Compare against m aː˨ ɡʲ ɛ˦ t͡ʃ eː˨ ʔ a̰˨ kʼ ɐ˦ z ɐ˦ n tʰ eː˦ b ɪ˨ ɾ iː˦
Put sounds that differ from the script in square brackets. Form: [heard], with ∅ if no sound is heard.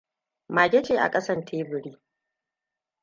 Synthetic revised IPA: m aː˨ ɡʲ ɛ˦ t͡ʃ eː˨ ʔ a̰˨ kʼ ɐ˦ [s] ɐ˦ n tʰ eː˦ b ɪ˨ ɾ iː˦